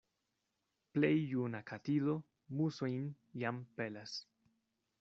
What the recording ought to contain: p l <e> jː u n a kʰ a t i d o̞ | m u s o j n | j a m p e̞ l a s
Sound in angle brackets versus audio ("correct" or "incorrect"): correct